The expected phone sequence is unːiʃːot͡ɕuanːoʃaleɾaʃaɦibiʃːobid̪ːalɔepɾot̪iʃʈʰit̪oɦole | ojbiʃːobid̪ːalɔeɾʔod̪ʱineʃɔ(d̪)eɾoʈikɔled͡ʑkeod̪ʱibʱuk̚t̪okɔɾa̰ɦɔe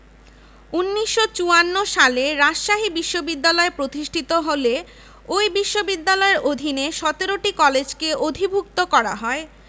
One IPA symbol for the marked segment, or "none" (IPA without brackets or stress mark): t̪